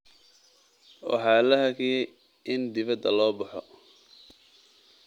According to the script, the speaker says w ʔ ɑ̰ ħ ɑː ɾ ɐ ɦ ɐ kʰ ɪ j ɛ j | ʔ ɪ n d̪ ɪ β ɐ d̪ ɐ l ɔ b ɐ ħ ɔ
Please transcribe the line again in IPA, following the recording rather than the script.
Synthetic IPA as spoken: w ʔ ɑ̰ ħ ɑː l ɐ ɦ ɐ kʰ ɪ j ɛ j | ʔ ɪ n d̪ ɪ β ɐ d̪ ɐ l ɔː b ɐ ħ ɔ